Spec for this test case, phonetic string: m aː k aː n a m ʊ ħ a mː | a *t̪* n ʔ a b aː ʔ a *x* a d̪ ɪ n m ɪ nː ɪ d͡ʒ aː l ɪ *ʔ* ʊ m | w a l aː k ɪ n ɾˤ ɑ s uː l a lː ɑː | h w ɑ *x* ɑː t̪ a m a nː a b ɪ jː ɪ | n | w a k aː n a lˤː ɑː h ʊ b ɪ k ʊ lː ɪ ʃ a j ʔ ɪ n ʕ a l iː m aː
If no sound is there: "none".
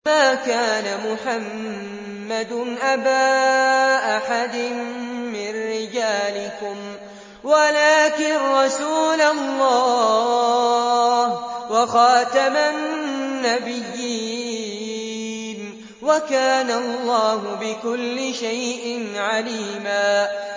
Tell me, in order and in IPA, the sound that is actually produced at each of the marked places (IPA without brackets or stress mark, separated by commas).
d̪, ħ, k, x